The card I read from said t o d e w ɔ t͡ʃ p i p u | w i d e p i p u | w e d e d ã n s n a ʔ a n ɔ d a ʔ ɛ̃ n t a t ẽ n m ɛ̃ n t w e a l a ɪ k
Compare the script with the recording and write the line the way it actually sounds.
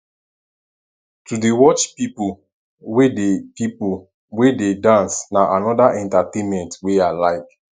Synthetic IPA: t u d e w ɔ t͡ʃ p i p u | w e d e p i p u | w e d e d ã n s n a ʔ a n ɔ d a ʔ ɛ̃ n t a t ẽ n m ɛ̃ n t w e a l a ɪ k